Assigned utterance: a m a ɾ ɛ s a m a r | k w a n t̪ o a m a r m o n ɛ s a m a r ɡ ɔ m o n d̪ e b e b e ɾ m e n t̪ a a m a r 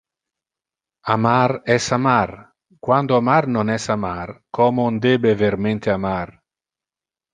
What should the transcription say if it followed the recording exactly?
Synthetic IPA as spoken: a m a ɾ ɛ s a m a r | k w a n d̪ o a m a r n o n ɛ s a m a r k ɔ m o n d̪ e b e v e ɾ m e n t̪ e a m a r

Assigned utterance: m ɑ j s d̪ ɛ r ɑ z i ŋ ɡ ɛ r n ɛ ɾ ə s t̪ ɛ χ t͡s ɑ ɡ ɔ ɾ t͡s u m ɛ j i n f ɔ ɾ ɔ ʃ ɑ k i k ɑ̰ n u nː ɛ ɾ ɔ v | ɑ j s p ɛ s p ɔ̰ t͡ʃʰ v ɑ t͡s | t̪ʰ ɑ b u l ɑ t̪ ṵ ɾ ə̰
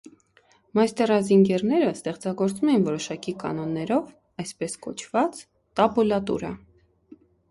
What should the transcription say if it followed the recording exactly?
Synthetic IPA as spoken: m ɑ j s t̪ ɛ r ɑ z i ŋ ɡ ɛ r n ɛ ɾ ə s t̪ ɛ χ t͡s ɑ ɡ ɔ ɾ t͡s u m ɛ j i n v ɔ ɾ ɔ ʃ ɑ k i k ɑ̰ n ɔ nː ɛ ɾ ɔ v | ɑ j s p ɛ s k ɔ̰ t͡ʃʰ v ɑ t͡s | t̪ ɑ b u l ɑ t̪ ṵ ɾ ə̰

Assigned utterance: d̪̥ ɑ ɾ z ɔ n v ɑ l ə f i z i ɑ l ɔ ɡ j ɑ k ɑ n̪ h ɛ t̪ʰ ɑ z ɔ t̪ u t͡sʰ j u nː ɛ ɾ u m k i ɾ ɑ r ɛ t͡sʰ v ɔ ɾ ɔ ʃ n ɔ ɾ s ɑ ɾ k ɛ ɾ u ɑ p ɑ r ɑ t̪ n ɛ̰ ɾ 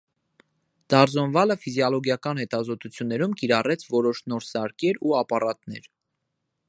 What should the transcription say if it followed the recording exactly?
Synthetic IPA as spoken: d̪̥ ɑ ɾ z ɔ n v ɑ l ə f i z j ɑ l ɔ ɡ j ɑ k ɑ n̪ h ɛ t̪ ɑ z ɔ t̪ u t͡sʰ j u nː ɛ ɾ u m k i ɾ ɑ r ɛ t͡sʰ v ɔ ɾ ɔ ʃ n ɔ ɾ s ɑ ɾ k ɛ ɾ u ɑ p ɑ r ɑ t̪ n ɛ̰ ɾ

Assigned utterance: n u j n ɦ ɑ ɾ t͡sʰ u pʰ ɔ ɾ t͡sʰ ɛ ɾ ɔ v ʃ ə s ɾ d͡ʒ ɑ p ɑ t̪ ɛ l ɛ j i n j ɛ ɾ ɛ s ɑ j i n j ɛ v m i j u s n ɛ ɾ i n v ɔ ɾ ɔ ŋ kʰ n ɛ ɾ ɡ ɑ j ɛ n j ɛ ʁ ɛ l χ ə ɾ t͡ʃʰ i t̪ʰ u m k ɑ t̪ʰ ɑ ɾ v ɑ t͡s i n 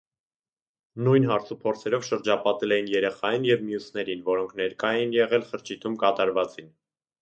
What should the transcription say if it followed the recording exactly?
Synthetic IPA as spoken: n u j n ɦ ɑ ɾ t͡sʰ u pʰ ɔ ɾ t͡sʰ ɛ ɾ ɔ v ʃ ə ɾ d͡ʒ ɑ p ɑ t̪ ɛ l ɛ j i n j ɛ ɾ ɛ χ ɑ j i n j ɛ v m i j u s n ɛ ɾ i n v ɔ ɾ ɔ ŋ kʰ n ɛ ɾ k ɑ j ɛ n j ɛ ʁ ɛ l χ ə ɾ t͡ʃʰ i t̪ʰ u m k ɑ t̪ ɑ ɾ v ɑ t͡s i n

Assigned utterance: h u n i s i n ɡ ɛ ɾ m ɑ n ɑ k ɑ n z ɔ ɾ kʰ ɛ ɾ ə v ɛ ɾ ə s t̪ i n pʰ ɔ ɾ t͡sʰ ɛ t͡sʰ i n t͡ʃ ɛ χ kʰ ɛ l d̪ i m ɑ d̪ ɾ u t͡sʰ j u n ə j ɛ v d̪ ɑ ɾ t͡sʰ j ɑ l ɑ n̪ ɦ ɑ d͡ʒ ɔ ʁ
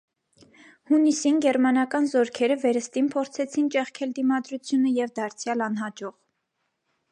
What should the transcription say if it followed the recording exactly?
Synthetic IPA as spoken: h u n i s i n ɡ ɛ ɾ m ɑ n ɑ k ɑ n z ɔ ɾ kʰ ɛ ɾ ə v ɛ ɾ ə s t̪ i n pʰ ɔ ɾ t͡sʰ ɛ t͡sʰ i n t͡ʃ ɛ χ kʰ ɛ l d̪ i m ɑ d̪ ɾ u t͡sʰ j u n ə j ɛ v d̪ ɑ ɾ t͡sʰ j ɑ l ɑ n̪ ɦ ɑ d͡ʒ ɔ ʁ

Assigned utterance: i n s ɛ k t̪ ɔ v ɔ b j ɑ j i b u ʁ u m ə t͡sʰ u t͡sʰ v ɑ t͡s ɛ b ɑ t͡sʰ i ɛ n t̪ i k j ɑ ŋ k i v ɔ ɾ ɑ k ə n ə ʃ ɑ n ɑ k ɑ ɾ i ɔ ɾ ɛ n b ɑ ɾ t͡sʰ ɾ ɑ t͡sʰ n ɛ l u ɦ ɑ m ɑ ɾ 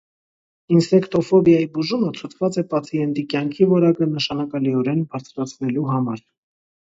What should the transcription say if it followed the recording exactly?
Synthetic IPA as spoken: i n s ɛ k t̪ ɔ f ɔ b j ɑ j i b u ʒ u m ə t͡sʰ u t͡sʰ v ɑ t͡s ɛ p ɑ t͡sʰ i ɛ n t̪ i k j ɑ ŋ kʰ i v ɔ ɾ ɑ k ə n ə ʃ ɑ n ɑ k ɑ l i ɔ ɾ ɛ n b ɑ ɾ t͡sʰ ɾ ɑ t͡sʰ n ɛ l u ɦ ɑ m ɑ ɾ

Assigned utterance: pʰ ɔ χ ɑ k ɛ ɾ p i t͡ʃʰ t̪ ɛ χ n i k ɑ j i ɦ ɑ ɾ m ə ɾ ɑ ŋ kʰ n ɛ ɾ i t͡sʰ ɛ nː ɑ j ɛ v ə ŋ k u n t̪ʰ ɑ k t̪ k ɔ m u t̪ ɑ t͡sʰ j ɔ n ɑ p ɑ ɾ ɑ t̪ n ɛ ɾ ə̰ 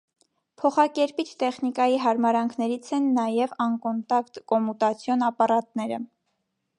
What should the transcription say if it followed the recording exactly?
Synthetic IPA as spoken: pʰ ɔ χ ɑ k ɛ ɾ p i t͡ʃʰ t̪ ɛ χ n i k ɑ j i ɦ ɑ ɾ m ɑ ɾ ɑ ŋ kʰ n ɛ ɾ i t͡sʰ ɛ nː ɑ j ɛ v ɑ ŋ k ɔ n t̪ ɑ k t̪ k ɔ m u t̪ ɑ t͡sʰ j ɔ n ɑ p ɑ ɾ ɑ t̪ n ɛ ɾ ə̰

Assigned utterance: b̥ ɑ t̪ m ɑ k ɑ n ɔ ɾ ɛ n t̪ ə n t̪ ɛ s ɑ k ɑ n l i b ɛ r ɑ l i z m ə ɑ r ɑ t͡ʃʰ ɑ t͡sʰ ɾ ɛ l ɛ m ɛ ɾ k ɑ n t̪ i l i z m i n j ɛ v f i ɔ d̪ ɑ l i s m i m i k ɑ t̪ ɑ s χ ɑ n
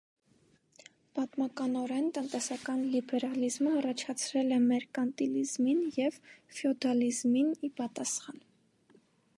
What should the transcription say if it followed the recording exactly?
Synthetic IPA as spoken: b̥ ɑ t̪ m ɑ k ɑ n ɔ ɾ ɛ n t̪ ə n t̪ ɛ s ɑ k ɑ n l i b ɛ ɾ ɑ l i z m ə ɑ r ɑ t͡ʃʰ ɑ t͡sʰ ɾ ɛ l ɛ m ɛ ɾ k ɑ n t̪ i l i z m i n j ɛ v f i ɔ d̪ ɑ l i z m i n i p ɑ t̪ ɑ s χ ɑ n

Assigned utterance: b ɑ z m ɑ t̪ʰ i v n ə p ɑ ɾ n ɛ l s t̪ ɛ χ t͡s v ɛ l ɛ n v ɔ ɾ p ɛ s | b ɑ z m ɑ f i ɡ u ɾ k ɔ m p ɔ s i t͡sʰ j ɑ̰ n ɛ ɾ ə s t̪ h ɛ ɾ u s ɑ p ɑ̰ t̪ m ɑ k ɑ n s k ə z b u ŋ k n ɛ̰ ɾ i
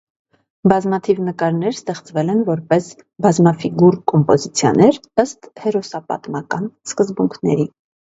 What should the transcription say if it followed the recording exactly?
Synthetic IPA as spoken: b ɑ z m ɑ t̪ʰ i v n ə k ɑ ɾ n ɛ ɾ s t̪ ɛ χ t͡s v ɛ l ɛ n v ɔ ɾ p ɛ s | b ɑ z m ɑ f i ɡ u ɾ k ɔ m p ɔ z i t͡sʰ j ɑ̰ n ɛ ɾ ə s t̪ h ɛ ɾ ɔ s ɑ p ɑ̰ t̪ m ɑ k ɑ n s k ə z b u ŋ kʰ n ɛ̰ ɾ i

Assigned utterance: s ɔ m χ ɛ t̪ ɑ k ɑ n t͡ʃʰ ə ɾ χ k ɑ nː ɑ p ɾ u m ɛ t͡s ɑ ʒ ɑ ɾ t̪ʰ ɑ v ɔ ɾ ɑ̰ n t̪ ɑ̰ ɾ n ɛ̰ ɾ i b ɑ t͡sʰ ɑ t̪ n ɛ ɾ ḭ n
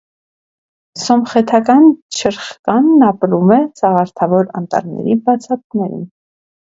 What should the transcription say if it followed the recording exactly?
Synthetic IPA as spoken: s ɔ m χ ɛ t̪ʰ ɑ k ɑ n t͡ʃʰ ə ɾ χ k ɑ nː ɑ p ɾ u m ɛ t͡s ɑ ʁ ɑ ɾ t̪ʰ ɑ v ɔ ɾ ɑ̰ n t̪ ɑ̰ ɾ n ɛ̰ ɾ i b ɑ t͡sʰ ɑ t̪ n ɛ ɾ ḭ n

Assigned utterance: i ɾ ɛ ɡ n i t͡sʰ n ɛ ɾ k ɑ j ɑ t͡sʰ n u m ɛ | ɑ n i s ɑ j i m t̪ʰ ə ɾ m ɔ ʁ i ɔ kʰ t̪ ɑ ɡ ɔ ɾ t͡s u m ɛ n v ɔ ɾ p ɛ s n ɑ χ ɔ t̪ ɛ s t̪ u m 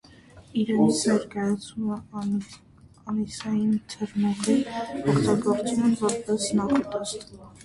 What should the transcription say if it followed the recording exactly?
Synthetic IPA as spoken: i ɾ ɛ n i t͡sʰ n ɛ ɾ k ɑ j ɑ t͡sʰ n u m ɛ | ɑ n i s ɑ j i n t̪ʰ ə ɾ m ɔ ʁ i ɔ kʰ t̪ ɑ ɡ ɔ ɾ t͡s u m ɛ n v ɔ ɾ p ɛ s n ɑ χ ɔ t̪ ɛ s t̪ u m

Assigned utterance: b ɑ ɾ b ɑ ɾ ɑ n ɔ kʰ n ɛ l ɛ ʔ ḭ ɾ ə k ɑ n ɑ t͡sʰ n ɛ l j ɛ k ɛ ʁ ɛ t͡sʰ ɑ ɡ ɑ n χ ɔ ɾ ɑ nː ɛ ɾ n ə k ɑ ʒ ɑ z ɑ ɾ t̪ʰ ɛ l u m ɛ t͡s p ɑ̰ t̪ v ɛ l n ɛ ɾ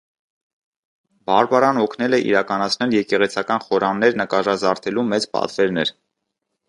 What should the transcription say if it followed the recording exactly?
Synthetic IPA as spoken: b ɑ ɾ b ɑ ɾ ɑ n ɔ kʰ n ɛ l ɛ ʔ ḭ ɾ ɑ k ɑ n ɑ t͡sʰ n ɛ l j ɛ k ɛ ʁ ɛ t͡sʰ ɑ k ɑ n χ ɔ ɾ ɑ nː ɛ ɾ n ə k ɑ ʒ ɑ z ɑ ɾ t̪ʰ ɛ l u m ɛ t͡s p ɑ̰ t̪ v ɛ ɾ n ɛ ɾ

